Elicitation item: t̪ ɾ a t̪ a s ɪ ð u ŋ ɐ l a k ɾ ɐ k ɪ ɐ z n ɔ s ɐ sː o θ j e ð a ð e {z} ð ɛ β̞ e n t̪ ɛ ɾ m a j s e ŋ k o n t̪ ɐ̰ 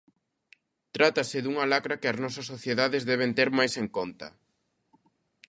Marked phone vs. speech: correct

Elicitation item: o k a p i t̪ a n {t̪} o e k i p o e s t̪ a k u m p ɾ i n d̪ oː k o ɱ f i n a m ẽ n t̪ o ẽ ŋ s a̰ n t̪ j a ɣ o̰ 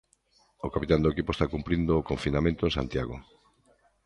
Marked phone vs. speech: incorrect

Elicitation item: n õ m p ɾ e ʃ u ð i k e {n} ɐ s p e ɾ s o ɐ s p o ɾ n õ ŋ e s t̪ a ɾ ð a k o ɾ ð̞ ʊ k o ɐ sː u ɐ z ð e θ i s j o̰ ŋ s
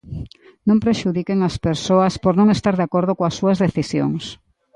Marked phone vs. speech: incorrect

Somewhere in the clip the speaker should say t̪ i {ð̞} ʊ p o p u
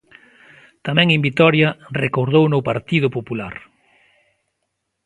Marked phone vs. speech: correct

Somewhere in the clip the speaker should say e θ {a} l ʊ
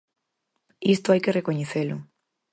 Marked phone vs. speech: incorrect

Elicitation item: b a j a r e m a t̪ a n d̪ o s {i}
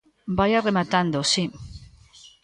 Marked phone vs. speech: correct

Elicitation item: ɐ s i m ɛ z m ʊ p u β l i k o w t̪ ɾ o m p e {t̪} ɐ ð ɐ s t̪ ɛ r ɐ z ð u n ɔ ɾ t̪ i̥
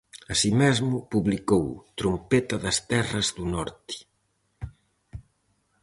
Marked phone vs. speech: correct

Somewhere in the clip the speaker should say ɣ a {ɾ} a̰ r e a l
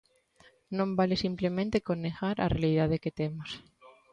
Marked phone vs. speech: correct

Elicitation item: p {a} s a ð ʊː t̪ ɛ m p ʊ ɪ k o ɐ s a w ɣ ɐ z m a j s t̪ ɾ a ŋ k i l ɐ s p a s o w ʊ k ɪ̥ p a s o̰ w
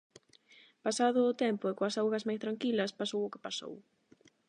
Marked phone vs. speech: correct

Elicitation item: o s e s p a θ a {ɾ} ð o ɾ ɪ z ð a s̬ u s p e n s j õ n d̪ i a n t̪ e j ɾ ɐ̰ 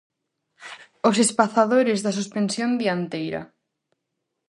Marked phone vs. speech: incorrect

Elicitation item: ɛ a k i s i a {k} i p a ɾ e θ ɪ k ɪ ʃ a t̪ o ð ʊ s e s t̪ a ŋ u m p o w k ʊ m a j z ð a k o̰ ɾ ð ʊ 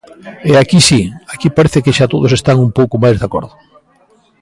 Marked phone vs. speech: correct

